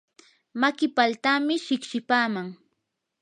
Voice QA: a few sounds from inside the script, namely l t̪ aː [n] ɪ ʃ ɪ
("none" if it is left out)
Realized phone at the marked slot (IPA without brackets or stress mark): m